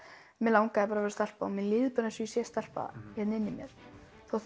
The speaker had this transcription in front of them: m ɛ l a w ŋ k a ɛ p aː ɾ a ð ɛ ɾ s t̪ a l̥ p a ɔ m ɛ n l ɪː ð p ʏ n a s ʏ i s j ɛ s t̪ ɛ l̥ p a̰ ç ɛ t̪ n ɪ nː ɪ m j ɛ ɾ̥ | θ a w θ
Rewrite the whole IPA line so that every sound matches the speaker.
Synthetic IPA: m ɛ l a w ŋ k a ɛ p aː ɾ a v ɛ ɾ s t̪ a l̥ p a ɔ m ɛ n l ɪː ð p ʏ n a s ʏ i s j ɛ s t̪ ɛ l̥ p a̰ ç ɛ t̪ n ɪ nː ɪ m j ɛ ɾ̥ | θ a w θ